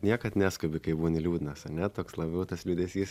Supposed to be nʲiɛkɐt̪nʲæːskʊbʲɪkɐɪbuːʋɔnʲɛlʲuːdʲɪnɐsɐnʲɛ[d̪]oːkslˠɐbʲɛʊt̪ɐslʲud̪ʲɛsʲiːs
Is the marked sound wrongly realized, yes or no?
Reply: yes